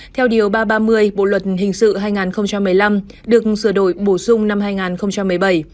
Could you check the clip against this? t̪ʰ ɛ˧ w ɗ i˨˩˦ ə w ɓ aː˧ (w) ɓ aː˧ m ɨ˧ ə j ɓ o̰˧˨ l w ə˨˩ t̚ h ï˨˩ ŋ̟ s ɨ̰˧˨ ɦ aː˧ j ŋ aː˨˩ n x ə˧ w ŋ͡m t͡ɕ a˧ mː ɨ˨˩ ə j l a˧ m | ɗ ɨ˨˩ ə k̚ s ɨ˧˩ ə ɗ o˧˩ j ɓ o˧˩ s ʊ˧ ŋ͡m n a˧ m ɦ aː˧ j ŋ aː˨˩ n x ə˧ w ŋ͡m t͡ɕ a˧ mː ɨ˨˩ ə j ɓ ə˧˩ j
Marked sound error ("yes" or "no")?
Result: yes